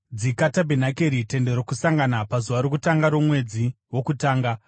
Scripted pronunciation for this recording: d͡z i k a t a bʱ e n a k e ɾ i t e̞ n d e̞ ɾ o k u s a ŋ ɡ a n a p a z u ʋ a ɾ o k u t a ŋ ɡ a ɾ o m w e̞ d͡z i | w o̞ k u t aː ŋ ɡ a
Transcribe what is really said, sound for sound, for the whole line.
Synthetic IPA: d͡z i k a t a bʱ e n a k e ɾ i t e̞ n d e̞ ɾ o k u s a ŋ ɡ a n a p a z u ʋ a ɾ o k u t a ŋ ɡ a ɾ o m w e̞ d͡z i | w o̞ k u t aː ŋ ɡ a